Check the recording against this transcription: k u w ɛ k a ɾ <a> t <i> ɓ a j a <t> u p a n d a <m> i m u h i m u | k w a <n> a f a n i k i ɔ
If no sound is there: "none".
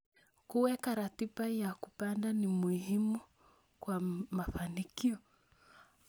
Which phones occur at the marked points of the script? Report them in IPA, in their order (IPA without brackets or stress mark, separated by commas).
a, i, k, n, m